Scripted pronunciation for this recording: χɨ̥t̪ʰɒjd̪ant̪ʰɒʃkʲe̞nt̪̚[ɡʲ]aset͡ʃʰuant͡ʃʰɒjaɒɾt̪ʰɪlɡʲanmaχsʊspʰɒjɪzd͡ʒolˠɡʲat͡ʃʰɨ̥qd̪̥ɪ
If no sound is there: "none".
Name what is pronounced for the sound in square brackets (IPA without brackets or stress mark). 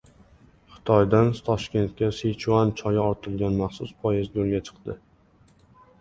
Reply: kʲ